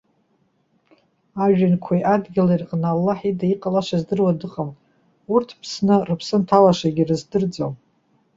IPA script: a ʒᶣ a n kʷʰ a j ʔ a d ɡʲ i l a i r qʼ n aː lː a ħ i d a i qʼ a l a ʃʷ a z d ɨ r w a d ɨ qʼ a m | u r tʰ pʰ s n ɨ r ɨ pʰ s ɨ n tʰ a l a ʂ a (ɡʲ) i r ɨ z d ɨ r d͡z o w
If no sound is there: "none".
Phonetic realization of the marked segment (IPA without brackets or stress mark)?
ɡʲ